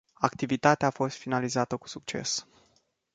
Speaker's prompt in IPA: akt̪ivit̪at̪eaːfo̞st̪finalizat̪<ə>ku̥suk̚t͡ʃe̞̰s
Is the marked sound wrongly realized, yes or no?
no